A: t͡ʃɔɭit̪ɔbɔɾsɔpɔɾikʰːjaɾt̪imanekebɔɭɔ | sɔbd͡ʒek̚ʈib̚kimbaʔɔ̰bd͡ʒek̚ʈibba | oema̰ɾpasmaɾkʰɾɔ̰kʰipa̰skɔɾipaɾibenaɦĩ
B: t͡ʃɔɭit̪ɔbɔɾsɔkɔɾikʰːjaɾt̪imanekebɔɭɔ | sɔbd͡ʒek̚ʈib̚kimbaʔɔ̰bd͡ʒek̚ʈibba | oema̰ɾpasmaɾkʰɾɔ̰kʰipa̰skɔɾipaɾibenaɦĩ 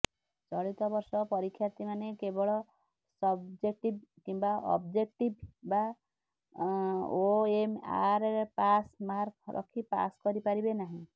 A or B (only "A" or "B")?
A